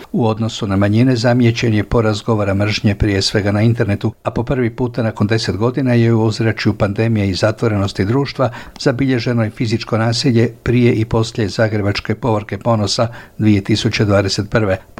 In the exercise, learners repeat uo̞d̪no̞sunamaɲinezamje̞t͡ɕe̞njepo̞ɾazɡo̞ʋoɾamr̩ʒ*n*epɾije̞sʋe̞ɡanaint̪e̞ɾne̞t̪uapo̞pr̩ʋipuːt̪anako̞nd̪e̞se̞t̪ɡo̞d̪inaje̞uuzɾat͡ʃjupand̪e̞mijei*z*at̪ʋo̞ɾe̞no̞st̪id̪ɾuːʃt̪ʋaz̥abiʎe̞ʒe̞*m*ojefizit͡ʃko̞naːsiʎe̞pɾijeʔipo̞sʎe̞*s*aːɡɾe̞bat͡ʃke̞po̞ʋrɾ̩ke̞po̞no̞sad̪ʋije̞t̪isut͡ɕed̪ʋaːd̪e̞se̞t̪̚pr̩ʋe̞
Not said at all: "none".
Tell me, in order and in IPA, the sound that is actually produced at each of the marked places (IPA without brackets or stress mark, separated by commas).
ɲ, z, n, z